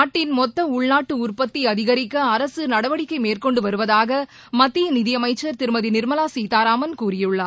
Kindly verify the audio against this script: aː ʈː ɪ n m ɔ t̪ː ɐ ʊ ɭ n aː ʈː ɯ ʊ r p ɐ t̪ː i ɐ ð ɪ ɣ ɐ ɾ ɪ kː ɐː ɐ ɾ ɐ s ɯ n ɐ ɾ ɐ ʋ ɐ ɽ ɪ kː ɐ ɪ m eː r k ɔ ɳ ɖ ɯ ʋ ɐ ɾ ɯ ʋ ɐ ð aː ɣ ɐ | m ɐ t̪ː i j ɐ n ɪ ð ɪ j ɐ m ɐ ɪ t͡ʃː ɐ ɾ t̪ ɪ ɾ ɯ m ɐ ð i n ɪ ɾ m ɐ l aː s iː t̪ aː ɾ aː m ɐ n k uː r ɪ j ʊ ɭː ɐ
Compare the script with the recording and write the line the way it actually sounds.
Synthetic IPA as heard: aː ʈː ɪ n m ɔ t̪ː ɐ ʊ ɭ n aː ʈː ɯ ʊ r p ɐ t̪ː i ɐ ð ɪ ɣ ɐ ɾ ɪ kː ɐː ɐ ɾ ɐ s ɯ n ɐ ɽ ɐ ʋ ɐ ɽ ɪ kː ɐ ɪ m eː r k ɔ ɳ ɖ ɯ ʋ ɐ ɾ ɯ ʋ ɐ ð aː ɣ ɐ | m ɐ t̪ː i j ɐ n ɪ ð ɪ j ɐ m ɐ ɪ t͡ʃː ɐ ɾ t̪ ɪ ɾ ɯ m ɐ ð i n ɪ ɾ m ɐ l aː s iː t̪ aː ɾ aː m ɐ n k uː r ɪ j ɯ ɭː ɐ